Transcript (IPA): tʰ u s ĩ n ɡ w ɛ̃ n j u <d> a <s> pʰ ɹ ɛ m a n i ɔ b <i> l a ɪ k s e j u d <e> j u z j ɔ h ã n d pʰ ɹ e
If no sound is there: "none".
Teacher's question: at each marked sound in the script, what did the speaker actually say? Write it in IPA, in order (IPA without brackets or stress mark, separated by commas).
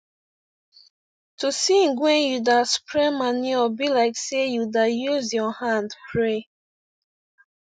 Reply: d, s, i, a